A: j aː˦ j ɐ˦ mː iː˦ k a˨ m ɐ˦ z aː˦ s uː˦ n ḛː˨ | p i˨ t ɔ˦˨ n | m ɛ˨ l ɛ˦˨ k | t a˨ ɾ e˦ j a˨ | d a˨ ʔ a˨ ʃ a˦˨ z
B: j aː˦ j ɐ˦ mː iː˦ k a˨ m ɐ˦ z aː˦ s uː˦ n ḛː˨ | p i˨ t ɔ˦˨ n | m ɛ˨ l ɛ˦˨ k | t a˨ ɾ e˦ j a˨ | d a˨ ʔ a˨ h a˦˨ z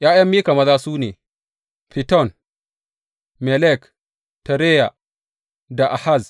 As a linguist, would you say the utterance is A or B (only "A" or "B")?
B